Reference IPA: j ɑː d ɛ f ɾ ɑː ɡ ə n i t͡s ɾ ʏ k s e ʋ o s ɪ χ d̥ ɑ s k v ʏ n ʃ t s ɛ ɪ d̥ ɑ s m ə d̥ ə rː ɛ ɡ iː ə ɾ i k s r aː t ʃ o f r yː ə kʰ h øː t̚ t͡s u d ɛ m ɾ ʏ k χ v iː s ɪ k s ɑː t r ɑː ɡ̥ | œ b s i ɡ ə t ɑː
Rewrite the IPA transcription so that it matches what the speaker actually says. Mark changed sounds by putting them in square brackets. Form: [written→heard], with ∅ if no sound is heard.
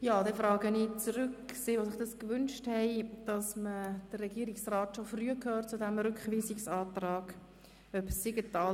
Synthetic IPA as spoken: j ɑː d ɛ f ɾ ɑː ɡ ə n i t͡s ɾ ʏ k s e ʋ o s ɪ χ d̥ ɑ s k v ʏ n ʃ t [s→h] ɛ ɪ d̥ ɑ s m ə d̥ ə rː ɛ ɡ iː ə ɾ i k s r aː t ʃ o f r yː ə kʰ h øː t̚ t͡s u d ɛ m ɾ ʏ k χ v iː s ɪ k s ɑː t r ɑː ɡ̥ | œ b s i ɡ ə t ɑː

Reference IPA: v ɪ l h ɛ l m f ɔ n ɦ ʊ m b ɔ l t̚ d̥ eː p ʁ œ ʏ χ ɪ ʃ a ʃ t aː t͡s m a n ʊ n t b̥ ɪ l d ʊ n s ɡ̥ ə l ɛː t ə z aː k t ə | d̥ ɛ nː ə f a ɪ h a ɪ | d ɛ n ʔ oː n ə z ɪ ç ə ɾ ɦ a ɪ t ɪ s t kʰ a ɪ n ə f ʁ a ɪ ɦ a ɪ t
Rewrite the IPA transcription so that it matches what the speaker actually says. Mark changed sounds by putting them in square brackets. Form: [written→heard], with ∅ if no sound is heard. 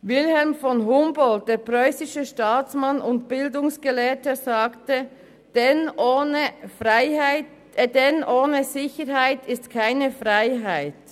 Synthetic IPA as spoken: v ɪ l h ɛ l m f ɔ n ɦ ʊ m b ɔ l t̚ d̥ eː p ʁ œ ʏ [χ→s] ɪ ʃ [a→ə] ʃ t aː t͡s m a n ʊ n t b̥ ɪ l d ʊ [n→ŋ] s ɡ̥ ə l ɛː t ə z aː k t ə | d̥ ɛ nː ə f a ɪ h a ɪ | d ɛ n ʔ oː n ə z ɪ ç ə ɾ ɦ a ɪ t ɪ s t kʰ a ɪ n ə f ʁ a ɪ ɦ a ɪ t

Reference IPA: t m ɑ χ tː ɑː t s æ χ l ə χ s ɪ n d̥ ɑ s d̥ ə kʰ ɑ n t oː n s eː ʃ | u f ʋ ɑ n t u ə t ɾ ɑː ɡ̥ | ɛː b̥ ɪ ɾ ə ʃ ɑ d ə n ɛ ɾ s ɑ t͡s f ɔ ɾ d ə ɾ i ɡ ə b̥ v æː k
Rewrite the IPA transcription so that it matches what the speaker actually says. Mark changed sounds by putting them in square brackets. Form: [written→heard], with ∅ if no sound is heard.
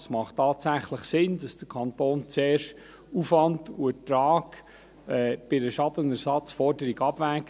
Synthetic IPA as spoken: [t→s] m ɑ χ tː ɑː t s æ χ l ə χ s ɪ n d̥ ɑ s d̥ ə kʰ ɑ n t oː n [s→t͡s] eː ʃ | u f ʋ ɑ n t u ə t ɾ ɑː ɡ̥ | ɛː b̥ ɪ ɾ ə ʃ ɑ d ə n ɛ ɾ s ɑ t͡s f ɔ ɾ d ə ɾ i ɡ [ə→ɑ] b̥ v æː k

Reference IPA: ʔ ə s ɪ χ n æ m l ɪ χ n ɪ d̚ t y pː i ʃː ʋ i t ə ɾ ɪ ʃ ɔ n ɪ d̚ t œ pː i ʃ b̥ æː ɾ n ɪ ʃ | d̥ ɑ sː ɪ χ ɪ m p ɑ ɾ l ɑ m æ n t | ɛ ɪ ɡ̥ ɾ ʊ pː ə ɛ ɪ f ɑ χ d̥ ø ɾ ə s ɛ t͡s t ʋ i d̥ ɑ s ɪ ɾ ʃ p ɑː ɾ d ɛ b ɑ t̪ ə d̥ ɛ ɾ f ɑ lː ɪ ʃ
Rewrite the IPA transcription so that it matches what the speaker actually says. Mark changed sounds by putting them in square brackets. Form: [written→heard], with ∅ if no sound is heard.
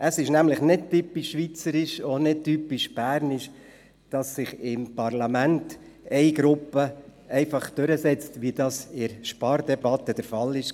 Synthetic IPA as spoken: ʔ ə s ɪ [χ→ʃ] n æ m l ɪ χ n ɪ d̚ t y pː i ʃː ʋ i [t→t͡s] ə ɾ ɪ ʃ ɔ n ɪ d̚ t [œ→y] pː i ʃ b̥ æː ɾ n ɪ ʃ | d̥ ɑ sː ɪ χ ɪ m p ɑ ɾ l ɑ m æ n t | ɛ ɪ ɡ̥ ɾ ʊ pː ə ɛ ɪ f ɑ χ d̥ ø ɾ ə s ɛ t͡s t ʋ i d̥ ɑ s ɪ ɾ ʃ p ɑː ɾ d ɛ b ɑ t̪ ə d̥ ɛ ɾ f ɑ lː ɪ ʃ

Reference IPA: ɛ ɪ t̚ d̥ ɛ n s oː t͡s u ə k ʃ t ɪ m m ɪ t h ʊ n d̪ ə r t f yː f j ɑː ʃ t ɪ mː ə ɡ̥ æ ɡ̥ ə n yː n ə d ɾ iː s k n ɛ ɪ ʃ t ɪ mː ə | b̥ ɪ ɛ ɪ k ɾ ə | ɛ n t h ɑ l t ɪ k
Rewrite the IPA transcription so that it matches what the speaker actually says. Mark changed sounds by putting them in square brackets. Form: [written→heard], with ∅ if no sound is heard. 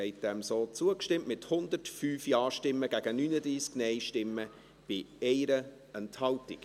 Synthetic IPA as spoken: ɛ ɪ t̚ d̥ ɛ [n→m] s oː t͡s u ə k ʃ t ɪ m m ɪ t h ʊ n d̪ ə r t f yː f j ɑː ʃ t ɪ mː ə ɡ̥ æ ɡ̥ ə n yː n ə d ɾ iː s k n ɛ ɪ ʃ t ɪ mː ə | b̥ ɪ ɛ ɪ [k→∅] ɾ ə | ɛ n t h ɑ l t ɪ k

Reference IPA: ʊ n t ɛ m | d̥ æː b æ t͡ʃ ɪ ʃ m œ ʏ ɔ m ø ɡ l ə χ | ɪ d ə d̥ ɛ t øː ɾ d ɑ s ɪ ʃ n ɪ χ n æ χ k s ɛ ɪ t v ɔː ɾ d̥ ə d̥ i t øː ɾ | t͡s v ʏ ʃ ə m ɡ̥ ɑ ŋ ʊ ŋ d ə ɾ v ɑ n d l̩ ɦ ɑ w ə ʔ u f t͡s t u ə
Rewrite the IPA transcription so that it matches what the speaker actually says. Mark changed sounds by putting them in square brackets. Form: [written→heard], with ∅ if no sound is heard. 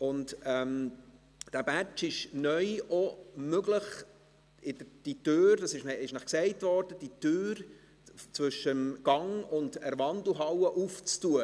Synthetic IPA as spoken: ʊ n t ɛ m | d̥ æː b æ t͡ʃ ɪ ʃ [m→n] œ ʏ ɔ m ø ɡ l ə χ | ɪ d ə d̥ [ɛ→i] t øː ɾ d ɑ s ɪ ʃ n ɪ [χ→ʃ] n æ χ k s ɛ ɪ t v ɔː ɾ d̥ ə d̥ i t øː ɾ | t͡s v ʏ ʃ ə m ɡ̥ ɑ ŋ ʊ [ŋ→n] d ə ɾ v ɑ n d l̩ ɦ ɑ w ə ʔ u f t͡s t u ə

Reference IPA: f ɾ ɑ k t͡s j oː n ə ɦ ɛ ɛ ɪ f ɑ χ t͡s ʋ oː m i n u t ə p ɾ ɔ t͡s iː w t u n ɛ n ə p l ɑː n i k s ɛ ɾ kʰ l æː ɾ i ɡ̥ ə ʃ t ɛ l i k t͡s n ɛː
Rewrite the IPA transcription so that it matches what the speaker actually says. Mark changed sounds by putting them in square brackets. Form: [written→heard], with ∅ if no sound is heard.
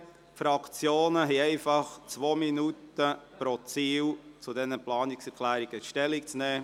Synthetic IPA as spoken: f ɾ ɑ k t͡s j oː n ə ɦ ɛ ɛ ɪ f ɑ χ t͡s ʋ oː m i n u t ə p ɾ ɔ t͡s iː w [t→t͡s] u [n→d] ɛ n ə p l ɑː n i k s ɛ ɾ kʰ l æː ɾ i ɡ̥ ə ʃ t ɛ l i k t͡s n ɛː

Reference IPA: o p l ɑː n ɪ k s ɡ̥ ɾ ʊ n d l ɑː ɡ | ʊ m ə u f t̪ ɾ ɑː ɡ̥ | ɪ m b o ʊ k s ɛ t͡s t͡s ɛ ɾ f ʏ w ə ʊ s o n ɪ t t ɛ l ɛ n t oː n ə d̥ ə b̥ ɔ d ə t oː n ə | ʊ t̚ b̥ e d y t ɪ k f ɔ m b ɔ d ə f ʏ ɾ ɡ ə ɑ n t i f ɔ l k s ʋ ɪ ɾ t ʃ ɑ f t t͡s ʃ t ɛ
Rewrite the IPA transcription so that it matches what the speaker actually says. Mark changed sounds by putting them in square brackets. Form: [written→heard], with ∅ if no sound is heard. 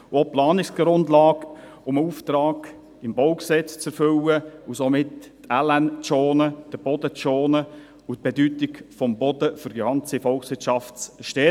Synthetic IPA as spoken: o p l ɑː n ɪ k s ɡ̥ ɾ ʊ n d l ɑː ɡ | ʊ m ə u f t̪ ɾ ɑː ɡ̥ | ɪ m b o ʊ k s ɛ t͡s t͡s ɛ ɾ f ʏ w ə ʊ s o [n→m] ɪ t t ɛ l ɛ n [t→t͡s] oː n ə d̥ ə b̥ ɔ d ə [t→t͡s] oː n ə | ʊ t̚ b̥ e d y t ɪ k f ɔ m b ɔ d ə f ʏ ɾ ɡ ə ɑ n [t→t͡s] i f ɔ l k s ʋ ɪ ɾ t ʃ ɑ f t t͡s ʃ t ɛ

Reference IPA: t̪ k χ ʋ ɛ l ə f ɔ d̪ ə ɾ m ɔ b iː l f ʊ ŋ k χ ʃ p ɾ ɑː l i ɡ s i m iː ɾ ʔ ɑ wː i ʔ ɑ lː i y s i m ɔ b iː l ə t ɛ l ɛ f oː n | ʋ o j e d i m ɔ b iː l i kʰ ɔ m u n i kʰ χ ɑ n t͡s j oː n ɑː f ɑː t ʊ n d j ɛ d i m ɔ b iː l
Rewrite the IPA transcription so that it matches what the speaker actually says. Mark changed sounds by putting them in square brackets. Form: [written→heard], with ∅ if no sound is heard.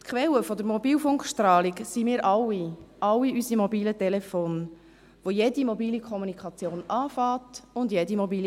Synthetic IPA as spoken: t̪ k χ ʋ ɛ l ə f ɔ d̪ ə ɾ m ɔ b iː l f ʊ ŋ k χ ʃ [p→t] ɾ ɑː l i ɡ s i m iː ɾ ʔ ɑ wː i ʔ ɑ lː i y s i m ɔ b iː l ə t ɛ l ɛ f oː n | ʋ o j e d i m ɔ b iː l i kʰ ɔ m u n i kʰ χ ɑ [n→∅] t͡s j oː n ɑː f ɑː t ʊ n d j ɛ d i m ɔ b iː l

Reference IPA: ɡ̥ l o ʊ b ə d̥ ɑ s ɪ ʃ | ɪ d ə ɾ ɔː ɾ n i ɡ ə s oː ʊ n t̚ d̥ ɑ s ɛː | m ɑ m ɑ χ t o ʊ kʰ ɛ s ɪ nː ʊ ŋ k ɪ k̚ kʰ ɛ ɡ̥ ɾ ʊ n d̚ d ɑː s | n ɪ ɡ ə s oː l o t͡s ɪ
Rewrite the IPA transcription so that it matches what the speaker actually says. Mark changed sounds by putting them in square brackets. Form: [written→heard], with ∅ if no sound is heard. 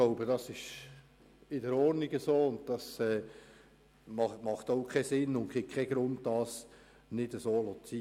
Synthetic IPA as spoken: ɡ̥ l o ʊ b ə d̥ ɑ s ɪ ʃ | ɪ d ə ɾ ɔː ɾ n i ɡ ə s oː ʊ n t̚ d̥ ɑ s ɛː | m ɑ m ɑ χ t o ʊ kʰ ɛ s ɪ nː ʊ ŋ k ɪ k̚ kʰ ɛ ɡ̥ ɾ ʊ n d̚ d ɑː s | n ɪ [ɡ→d] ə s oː l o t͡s [ɪ→i]

